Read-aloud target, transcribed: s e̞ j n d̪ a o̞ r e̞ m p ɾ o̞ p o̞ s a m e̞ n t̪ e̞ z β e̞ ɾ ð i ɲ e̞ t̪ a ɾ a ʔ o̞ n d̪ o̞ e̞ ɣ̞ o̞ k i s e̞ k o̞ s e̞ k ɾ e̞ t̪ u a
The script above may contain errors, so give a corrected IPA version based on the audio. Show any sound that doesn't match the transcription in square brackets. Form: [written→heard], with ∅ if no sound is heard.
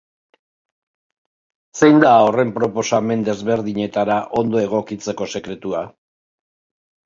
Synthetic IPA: s e̞ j n d̪ a o̞ r e̞ m p ɾ o̞ p o̞ s a m e̞ n [t̪→d̪] e̞ z β e̞ ɾ ð i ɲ e̞ t̪ a ɾ a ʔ o̞ n d̪ o̞ e̞ ɣ̞ o̞ k i [s→t͡s] e̞ k o̞ s e̞ k ɾ e̞ t̪ u a